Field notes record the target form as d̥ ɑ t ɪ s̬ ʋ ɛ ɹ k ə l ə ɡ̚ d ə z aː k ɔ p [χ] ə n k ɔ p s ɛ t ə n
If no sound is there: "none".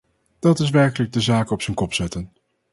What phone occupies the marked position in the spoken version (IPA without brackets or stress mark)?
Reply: s